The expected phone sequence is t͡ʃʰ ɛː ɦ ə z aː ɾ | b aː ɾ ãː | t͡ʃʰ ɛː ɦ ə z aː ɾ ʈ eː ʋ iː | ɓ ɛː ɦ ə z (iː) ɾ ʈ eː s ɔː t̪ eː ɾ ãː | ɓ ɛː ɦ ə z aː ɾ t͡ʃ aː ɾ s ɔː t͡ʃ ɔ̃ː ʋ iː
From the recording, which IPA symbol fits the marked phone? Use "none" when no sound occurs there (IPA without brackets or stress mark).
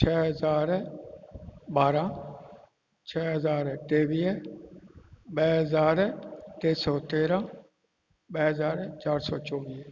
aː